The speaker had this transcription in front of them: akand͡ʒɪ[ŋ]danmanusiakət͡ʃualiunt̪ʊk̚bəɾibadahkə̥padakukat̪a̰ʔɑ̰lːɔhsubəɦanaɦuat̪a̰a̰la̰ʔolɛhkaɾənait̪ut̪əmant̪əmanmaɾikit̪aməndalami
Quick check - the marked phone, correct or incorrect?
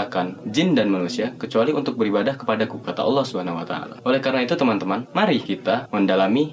incorrect